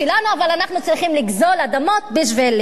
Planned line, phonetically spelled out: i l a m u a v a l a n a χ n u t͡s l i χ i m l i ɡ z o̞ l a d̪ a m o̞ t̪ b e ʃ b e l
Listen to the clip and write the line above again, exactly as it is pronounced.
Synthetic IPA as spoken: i l a n u a v a l a n a χ n u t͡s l i χ i m l i ɡ z o̞ l a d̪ a m o̞ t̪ b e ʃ v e l

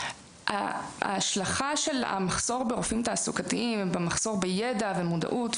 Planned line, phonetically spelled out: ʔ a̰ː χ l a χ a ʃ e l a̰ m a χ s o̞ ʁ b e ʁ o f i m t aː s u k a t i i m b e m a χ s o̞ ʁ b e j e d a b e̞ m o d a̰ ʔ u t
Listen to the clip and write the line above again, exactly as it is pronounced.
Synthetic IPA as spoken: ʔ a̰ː ʃ l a χ a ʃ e l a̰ m a χ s o̞ ʁ b e ʁ o f i m t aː s u k a t i i m b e m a χ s o̞ ʁ b e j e d a v e̞ m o d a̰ ʔ u t

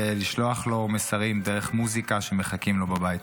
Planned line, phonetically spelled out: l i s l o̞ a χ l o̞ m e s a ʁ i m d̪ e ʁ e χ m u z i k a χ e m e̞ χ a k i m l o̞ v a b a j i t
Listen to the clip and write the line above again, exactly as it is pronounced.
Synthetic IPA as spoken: l i ʃ l o̞ a χ l o̞ m e s a ʁ i m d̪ e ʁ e χ m u z i k a ʃ e m e̞ χ a k i m l o̞ b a b a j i t

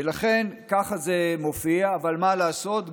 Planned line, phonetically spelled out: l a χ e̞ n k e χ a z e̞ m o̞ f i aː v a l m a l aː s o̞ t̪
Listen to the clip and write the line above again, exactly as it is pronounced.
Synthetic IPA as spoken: l a χ e̞ n k a χ a z e̞ m o̞ f i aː v a l m a l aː s o̞ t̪

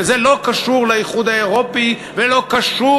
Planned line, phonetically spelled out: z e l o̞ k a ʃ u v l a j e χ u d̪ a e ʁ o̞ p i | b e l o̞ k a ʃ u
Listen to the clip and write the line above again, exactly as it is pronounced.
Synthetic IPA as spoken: z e l o̞ k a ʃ u ʁ l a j i χ u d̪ a e ʁ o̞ p i | v e l o̞ k a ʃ u

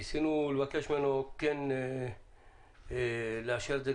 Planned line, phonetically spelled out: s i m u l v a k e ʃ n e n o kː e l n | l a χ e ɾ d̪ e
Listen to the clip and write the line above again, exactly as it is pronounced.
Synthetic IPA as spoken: s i n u l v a k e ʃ m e n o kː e n | l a ʃ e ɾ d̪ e

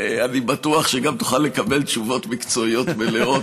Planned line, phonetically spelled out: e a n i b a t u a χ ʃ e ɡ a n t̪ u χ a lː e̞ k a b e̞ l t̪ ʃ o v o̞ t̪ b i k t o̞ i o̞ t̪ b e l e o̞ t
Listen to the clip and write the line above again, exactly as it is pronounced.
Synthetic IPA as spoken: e a n i b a t u a χ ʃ e ɡ a m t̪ u χ a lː e̞ k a b e̞ l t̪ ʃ u v o̞ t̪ m i k t͡s o̞ i o̞ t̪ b e l e o̞ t

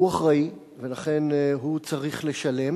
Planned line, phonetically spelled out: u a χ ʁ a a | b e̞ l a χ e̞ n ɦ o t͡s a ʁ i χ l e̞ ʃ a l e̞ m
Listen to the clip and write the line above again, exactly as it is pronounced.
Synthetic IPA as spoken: u a χ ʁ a i | v e̞ l a χ e̞ n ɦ u t͡s a ʁ i χ l e̞ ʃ a l e̞ m

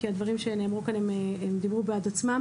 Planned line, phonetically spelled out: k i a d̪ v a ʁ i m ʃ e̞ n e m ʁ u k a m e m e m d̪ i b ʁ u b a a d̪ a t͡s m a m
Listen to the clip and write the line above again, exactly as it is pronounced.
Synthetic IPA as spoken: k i a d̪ v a ʁ i m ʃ e̞ n e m ʁ u k a n e m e m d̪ i b ʁ u b e a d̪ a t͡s m a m

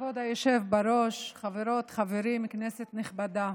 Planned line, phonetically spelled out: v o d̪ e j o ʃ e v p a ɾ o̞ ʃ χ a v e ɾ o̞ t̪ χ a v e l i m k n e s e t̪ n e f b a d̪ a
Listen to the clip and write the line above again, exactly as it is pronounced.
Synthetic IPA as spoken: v o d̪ a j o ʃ e v b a ɾ o̞ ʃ χ a v e ɾ o̞ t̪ χ a v e ɾ i m k n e s e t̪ n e χ b a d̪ a

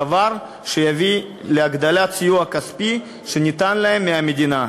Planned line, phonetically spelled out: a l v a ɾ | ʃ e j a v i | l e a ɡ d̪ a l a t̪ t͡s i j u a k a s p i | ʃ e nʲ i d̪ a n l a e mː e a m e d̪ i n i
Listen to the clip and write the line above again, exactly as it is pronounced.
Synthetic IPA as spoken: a v a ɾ | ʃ e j a v i | l e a ɡ d̪ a l a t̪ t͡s i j u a k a s p i | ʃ e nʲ i t̪ a n l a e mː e a m e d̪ i n a

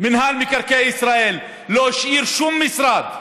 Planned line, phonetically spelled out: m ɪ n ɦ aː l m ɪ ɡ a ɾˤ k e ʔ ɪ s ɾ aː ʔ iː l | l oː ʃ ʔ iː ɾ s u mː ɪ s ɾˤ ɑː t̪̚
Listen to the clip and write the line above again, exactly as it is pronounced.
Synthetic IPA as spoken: m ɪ n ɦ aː l m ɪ k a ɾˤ k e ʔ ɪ s ɾ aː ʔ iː l | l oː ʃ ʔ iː ɾ ʃ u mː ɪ s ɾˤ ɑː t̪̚

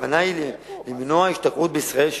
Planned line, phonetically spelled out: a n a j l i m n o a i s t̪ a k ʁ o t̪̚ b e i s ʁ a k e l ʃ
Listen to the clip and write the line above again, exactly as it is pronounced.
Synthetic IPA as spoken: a n a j l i m n o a i ʃ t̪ a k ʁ u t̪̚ b e i s ʁ a e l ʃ

